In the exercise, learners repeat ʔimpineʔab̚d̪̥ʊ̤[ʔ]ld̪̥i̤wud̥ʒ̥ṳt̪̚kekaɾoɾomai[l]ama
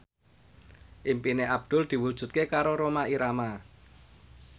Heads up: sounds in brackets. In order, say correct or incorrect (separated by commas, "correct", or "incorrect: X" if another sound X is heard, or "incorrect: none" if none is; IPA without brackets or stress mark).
incorrect: none, incorrect: ɾ